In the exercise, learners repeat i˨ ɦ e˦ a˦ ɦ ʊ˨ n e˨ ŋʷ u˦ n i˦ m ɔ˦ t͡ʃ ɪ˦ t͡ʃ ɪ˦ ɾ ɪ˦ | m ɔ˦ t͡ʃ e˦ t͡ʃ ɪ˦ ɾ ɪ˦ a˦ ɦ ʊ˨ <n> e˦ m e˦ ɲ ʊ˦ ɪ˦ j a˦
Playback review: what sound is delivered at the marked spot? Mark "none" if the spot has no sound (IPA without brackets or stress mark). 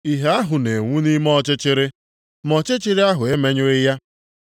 none